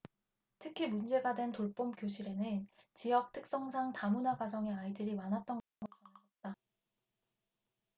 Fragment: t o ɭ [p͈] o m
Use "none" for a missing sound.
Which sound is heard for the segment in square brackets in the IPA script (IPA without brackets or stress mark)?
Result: p͈